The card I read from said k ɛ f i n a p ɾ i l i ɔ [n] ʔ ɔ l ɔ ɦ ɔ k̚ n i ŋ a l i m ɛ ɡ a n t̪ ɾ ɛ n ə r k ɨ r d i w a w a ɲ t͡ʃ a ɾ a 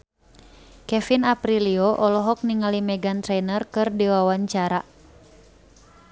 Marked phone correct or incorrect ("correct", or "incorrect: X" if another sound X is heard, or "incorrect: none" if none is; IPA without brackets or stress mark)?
incorrect: none